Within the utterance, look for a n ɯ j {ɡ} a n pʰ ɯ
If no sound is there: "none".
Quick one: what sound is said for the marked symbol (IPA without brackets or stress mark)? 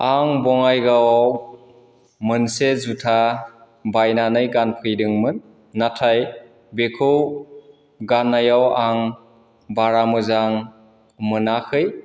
ɡ